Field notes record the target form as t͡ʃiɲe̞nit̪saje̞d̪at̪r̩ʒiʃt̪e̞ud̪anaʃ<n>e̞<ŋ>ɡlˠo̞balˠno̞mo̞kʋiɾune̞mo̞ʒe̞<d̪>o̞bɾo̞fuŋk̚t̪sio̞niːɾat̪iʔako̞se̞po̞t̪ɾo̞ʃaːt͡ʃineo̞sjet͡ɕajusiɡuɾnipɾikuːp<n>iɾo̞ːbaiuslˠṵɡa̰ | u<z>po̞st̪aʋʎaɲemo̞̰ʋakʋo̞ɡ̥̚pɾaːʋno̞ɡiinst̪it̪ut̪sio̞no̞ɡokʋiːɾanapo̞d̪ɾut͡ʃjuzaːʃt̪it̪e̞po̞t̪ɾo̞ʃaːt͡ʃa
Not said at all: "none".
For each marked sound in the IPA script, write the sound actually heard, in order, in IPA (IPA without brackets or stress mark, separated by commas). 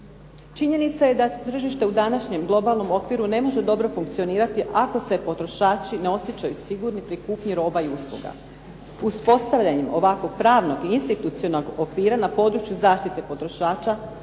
ɲ, m, d̪, ɲ, s